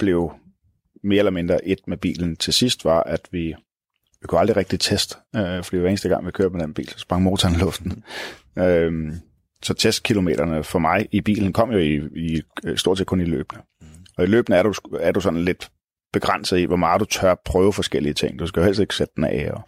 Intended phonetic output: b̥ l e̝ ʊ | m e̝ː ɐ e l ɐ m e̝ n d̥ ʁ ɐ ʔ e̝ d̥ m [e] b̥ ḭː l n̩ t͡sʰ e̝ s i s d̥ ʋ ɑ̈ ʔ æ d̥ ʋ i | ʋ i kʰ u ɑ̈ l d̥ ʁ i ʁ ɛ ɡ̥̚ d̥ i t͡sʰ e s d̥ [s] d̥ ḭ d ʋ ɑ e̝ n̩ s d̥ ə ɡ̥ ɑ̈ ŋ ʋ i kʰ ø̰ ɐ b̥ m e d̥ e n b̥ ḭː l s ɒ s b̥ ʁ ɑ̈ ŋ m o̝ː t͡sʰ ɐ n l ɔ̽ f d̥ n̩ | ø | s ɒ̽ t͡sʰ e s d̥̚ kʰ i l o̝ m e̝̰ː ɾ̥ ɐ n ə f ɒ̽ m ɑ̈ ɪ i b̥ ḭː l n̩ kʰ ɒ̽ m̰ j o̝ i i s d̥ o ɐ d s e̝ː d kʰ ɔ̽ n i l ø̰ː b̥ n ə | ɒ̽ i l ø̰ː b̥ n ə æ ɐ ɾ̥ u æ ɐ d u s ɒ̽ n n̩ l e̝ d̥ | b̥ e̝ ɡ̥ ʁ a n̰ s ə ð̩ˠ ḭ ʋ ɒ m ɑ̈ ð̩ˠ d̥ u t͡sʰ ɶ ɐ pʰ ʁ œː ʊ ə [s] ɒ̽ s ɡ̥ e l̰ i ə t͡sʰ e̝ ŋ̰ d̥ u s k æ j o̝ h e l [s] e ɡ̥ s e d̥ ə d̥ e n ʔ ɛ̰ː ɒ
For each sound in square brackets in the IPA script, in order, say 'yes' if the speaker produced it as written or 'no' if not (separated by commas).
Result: yes, no, no, yes